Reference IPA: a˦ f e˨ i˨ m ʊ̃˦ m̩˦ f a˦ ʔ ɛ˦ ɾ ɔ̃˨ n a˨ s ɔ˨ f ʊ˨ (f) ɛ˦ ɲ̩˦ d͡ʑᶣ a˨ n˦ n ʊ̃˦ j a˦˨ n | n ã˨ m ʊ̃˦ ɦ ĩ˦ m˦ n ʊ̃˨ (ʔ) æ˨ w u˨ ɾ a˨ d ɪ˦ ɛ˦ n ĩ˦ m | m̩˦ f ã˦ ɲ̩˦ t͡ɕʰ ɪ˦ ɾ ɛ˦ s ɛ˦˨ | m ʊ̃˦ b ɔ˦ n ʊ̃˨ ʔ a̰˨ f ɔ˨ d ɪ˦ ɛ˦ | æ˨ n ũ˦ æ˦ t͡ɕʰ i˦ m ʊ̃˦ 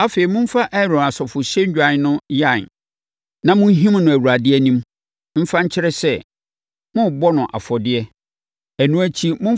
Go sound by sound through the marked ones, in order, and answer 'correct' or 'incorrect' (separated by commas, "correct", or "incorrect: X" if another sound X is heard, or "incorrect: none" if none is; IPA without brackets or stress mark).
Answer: incorrect: ɕ, incorrect: none